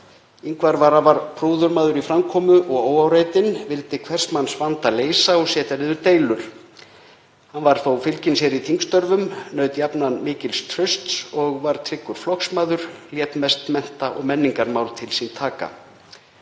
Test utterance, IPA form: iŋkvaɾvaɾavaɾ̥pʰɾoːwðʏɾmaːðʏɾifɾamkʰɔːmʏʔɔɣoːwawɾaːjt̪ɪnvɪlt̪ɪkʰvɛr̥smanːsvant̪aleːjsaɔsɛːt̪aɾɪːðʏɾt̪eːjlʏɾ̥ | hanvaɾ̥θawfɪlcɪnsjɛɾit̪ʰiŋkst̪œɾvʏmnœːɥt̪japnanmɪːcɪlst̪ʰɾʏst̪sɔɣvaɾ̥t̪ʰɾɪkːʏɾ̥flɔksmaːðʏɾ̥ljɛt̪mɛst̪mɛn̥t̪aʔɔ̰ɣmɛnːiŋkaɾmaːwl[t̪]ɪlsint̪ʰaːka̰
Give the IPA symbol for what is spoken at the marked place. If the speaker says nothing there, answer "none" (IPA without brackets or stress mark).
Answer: t̪ʰ